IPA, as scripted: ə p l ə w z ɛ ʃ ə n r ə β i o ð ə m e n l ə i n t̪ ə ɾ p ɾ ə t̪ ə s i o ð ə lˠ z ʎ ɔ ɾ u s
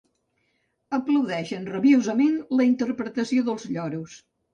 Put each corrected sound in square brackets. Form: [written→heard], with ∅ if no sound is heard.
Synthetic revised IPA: ə p l ə w [z→ð] ɛ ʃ ə n r ə β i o [ð→z] ə m e n l ə i n t̪ ə ɾ p ɾ ə t̪ ə s i o ð ə lˠ z ʎ ɔ ɾ u s